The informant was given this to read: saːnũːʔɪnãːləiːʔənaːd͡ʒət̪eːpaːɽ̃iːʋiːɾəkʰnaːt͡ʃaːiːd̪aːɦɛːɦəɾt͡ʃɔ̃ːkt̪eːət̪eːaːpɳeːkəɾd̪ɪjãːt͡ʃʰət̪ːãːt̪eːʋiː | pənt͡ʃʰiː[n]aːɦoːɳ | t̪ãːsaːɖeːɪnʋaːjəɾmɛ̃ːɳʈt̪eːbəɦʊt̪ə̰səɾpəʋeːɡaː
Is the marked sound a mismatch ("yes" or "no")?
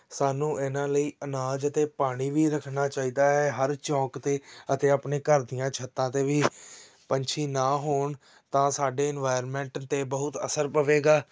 no